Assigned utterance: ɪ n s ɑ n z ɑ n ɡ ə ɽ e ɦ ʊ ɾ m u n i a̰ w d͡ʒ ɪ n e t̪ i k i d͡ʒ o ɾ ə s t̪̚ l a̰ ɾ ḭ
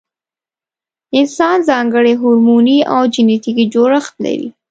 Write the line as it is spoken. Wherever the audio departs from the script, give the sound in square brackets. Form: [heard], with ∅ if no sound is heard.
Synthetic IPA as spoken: ɪ n s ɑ n z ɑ [ŋ] ɡ ə ɽ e ɦ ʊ ɾ m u n i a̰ w d͡ʒ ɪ n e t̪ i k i d͡ʒ o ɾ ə [x] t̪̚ l a̰ ɾ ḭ